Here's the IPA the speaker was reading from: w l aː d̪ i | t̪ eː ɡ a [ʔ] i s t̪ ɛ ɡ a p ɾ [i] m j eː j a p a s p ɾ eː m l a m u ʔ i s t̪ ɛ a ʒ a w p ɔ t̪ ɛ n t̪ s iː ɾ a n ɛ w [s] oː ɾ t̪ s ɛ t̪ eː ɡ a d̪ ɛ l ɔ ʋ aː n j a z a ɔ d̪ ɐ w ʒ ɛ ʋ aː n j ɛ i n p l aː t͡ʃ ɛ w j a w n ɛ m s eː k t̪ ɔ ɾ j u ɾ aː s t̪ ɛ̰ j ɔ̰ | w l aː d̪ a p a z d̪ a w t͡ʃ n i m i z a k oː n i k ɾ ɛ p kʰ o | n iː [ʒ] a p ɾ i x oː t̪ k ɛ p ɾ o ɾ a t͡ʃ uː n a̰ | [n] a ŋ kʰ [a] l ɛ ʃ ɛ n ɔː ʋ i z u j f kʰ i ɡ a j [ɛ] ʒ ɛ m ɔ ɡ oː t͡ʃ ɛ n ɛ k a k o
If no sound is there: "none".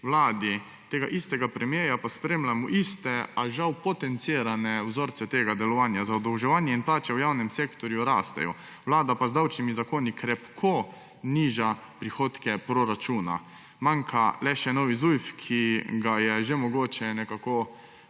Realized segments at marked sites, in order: ʔ, ɛ, z, ʒ, m, a, ɛ

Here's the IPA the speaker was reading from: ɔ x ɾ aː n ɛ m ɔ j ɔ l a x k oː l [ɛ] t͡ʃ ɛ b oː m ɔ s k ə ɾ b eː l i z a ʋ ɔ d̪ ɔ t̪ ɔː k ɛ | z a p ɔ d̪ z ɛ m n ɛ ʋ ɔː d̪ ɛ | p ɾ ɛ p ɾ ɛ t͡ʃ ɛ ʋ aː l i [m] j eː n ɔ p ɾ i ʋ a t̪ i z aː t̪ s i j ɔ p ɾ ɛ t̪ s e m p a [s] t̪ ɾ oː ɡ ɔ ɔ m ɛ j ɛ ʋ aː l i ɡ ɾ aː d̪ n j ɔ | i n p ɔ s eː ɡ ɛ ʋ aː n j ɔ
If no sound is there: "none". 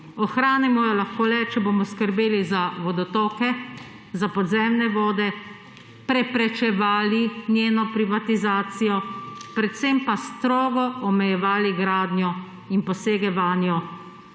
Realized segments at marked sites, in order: ɛ, n, s

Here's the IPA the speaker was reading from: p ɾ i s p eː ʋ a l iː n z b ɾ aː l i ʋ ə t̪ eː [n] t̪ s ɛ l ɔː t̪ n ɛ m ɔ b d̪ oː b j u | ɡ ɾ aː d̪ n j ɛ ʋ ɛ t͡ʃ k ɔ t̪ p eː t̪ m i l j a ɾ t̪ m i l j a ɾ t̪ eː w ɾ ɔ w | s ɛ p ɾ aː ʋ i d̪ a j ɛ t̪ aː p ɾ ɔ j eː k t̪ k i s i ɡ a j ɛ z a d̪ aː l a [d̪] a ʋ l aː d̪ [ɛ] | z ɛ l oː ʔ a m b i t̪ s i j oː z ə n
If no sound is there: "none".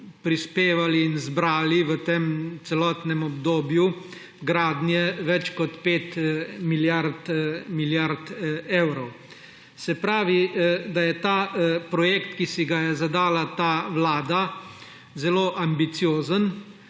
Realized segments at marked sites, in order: m, t̪, a

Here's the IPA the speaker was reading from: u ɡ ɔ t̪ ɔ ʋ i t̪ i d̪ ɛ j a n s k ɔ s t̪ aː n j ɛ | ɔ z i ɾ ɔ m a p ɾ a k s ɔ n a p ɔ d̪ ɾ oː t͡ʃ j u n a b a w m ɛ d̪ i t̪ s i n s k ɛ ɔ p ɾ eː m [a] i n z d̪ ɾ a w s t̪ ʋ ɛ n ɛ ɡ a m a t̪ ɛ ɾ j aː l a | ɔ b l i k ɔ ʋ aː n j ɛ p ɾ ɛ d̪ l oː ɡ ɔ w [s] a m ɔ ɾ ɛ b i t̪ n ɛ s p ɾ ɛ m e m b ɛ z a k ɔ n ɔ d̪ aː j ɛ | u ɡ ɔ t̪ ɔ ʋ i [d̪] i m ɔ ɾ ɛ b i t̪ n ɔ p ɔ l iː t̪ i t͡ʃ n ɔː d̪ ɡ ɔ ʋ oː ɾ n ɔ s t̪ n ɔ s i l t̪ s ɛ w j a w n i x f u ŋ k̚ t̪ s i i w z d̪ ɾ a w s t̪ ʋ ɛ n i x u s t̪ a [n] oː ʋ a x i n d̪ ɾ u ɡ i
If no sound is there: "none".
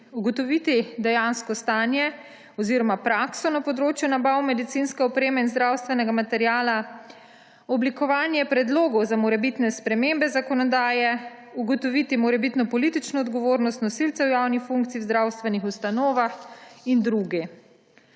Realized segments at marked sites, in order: ɛ, z, t̪, n

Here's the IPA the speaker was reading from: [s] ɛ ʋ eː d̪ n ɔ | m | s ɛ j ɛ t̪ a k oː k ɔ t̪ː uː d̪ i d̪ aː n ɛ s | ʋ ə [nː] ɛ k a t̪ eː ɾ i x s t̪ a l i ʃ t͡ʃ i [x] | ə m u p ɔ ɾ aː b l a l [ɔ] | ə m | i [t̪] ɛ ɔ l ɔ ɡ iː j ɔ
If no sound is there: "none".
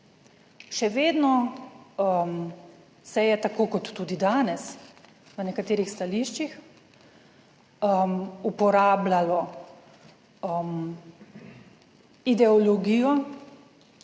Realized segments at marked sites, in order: ʃ, n, x, ɔ, d̪

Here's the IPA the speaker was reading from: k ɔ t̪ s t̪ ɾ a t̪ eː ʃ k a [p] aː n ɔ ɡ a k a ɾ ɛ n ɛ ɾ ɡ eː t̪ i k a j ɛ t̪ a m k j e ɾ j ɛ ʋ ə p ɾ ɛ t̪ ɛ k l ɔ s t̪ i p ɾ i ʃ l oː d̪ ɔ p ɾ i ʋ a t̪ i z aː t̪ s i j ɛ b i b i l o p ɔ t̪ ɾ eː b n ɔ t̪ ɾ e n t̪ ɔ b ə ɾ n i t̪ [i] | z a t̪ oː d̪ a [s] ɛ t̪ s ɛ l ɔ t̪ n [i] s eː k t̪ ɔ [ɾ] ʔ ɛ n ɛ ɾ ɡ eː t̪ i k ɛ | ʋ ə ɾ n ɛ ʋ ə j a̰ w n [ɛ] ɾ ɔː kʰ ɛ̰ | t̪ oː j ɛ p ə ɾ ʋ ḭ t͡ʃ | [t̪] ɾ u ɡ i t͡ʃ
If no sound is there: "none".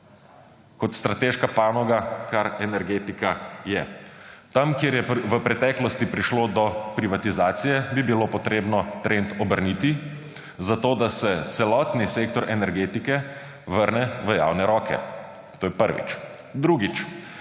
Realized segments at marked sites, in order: p, i, s, i, ɾ, ɛ, d̪

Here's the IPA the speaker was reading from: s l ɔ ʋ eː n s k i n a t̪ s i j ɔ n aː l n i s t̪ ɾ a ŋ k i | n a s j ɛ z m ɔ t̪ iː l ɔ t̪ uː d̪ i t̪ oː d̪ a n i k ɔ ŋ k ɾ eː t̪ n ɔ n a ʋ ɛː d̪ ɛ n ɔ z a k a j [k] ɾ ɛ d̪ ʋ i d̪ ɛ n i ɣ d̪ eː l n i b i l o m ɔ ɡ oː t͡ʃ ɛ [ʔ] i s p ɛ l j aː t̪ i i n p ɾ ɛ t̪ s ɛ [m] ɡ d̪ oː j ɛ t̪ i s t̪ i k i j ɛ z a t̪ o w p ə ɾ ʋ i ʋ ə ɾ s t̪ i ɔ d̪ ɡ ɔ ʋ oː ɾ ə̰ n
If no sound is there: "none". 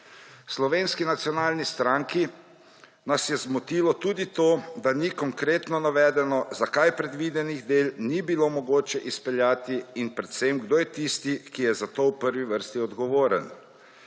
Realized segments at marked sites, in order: p, ʔ, m

